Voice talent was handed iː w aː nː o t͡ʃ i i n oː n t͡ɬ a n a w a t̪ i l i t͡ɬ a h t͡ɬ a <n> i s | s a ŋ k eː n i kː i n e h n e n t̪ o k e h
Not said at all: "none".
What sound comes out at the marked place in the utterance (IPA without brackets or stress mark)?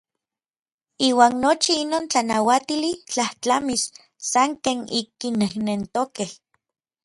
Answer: m